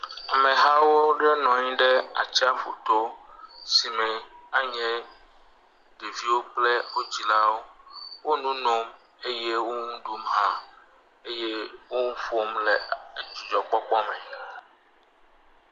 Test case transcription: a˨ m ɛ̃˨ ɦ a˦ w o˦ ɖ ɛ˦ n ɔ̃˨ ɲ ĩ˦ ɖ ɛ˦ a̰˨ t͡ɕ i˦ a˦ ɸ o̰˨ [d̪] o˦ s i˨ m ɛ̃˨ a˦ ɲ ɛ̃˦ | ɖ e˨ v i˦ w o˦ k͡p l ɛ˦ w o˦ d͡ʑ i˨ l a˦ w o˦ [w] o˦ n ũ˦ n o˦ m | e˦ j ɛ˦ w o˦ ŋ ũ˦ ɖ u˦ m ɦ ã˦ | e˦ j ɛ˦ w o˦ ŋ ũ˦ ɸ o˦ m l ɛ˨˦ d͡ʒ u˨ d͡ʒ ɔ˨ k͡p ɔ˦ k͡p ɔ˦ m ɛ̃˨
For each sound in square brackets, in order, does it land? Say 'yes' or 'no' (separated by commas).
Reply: no, yes